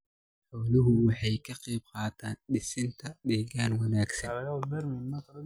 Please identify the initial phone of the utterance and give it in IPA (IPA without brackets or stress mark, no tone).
ħ